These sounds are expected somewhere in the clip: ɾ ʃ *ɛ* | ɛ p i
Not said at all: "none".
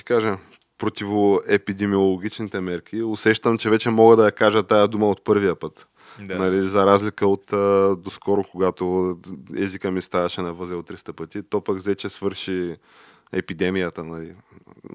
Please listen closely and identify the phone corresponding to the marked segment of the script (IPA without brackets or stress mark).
i